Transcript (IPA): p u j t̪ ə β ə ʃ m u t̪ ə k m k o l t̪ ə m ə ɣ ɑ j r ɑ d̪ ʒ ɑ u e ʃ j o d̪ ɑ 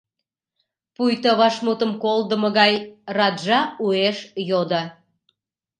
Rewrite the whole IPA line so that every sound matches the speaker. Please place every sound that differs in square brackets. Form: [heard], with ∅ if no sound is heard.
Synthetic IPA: p u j t̪ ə β [ɑ] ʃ m u t̪ ə [∅] m k o l [d̪] ə m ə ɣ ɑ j r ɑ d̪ ʒ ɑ u e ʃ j o d̪ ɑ